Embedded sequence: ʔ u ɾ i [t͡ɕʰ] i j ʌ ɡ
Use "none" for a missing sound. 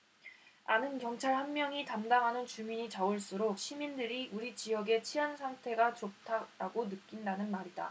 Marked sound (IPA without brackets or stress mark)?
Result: t͡ɕ